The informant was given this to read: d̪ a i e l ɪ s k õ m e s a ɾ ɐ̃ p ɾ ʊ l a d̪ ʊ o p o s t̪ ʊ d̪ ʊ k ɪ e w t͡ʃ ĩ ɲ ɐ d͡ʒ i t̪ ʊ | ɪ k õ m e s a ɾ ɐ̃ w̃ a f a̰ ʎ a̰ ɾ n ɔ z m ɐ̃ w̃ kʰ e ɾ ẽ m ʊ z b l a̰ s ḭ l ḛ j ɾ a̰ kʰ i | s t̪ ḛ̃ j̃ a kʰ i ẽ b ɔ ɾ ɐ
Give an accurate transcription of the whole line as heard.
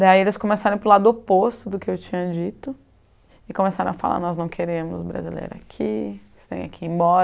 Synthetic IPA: d̪ a i e l ɪ s k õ m e s a ɾ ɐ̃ p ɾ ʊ l a d̪ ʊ o p o s t̪ ʊ d̪ ʊ k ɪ e w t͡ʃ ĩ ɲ ɐ d͡ʒ i t̪ ʊ | ɪ k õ m e s a ɾ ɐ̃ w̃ a f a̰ l a̰ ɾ n ɔ z n ɐ̃ w̃ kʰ e ɾ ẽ m ʊ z b ɾ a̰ z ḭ l ḛ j ɾ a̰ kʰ i | s t̪ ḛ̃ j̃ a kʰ i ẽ b ɔ ɾ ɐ